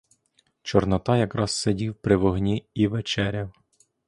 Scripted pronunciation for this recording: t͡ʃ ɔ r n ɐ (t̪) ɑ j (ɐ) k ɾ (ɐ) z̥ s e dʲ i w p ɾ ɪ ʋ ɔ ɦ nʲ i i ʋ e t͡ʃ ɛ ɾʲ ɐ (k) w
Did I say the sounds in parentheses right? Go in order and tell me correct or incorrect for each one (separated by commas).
correct, correct, incorrect, incorrect